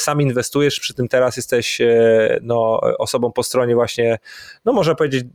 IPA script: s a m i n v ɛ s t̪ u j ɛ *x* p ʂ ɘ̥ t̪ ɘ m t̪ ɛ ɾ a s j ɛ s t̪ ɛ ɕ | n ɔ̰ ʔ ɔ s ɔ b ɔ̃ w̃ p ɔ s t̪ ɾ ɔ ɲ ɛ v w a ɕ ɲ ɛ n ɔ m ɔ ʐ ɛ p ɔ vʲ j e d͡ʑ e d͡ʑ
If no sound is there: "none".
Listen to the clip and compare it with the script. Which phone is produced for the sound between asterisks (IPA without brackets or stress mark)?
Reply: ʂ